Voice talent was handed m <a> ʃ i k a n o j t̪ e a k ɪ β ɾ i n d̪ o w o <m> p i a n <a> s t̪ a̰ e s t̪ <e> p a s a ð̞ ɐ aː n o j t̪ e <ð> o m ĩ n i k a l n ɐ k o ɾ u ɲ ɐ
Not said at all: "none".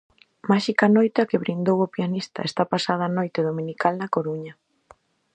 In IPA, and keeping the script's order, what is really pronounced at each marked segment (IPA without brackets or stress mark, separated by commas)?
a, none, i, a, ð